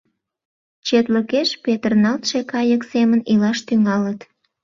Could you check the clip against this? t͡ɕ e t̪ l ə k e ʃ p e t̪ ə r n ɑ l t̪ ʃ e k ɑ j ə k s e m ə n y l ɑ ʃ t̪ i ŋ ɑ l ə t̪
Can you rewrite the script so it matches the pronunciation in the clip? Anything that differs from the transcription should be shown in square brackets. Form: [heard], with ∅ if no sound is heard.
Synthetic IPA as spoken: t͡ɕ e t̪ l ə k e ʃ p e t̪ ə r n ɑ l t̪ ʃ e k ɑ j ə k s e m ə n [i] l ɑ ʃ t̪ [y] ŋ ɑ l ə t̪